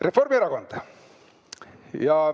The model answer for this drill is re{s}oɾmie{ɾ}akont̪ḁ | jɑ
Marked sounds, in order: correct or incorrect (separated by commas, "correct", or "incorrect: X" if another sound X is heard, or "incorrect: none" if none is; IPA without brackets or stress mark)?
incorrect: f, correct